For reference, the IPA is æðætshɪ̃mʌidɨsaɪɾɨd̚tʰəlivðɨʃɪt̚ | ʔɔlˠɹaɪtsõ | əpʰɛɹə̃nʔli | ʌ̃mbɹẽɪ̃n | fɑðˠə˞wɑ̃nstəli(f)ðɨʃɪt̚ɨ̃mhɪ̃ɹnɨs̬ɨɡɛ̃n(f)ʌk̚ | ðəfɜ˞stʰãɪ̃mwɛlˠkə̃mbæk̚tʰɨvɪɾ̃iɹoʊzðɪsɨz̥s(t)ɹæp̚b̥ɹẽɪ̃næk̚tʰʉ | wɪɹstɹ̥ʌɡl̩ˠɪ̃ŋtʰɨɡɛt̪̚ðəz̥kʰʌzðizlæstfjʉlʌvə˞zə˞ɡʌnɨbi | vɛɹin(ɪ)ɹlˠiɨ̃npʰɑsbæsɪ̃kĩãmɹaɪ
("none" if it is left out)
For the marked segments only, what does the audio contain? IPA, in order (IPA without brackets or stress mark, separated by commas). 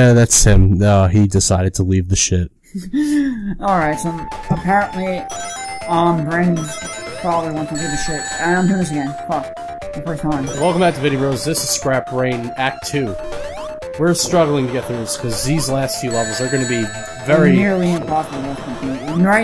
v, f, k, ɪ